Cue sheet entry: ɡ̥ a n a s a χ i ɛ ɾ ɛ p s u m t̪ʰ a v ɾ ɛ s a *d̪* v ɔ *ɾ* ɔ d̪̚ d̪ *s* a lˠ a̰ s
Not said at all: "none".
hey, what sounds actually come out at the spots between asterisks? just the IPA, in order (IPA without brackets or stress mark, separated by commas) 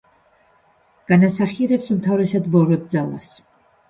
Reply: d̪, ɾ, z